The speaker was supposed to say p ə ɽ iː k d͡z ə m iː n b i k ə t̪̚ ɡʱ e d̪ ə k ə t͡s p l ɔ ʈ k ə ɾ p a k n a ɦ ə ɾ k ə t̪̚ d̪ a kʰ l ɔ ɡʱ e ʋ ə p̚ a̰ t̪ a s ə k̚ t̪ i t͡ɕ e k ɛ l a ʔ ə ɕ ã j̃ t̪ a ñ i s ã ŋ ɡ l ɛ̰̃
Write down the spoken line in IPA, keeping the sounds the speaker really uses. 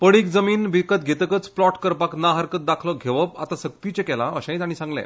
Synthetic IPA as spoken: p ə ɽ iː k d͡z ə m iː n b i k ə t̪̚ ɡʱ e t̪ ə k ə t͡s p l ɔ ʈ k ə ɾ p a k n a ɦ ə ɾ k ə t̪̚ d̪ a kʰ l ɔ ɡʱ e ʋ ə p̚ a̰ t̪ a s ə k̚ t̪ i t͡ɕ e k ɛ l a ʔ ə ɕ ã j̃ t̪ a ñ i s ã ŋ ɡ l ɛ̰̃